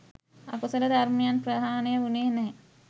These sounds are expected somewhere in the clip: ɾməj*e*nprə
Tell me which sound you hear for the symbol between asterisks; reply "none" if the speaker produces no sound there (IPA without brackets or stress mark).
a